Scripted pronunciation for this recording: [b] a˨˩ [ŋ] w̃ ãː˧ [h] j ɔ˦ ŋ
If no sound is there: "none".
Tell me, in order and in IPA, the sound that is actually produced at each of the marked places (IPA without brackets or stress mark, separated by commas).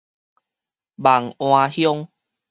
b, ŋ, h